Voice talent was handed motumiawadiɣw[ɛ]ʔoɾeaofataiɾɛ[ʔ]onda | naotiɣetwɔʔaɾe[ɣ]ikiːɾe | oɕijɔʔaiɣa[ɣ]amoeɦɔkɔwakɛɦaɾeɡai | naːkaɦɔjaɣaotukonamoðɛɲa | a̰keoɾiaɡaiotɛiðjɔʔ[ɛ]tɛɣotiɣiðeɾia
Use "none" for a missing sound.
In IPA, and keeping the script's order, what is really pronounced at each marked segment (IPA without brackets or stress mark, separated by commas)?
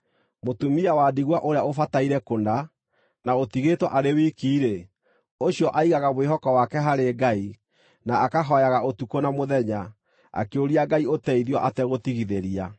a, k, w, ɣ, a